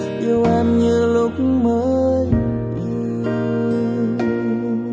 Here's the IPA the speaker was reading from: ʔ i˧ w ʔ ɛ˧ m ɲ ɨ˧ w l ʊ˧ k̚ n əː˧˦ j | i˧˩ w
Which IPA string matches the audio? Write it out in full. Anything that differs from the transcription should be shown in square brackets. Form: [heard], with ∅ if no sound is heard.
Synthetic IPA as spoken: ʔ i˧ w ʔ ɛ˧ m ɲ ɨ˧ [∅] l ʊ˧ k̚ [m] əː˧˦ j | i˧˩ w